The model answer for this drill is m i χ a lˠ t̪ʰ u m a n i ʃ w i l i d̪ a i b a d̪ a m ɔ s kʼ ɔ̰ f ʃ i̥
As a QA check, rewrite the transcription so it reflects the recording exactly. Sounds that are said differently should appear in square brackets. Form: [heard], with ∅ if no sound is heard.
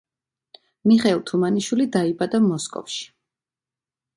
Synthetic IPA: m i χ [ɛ] lˠ t̪ʰ u m a n i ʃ w i l i d̪ a i b a d̪ a m ɔ s kʼ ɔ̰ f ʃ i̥